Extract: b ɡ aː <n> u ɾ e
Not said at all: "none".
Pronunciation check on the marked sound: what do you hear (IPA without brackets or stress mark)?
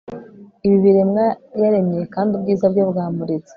m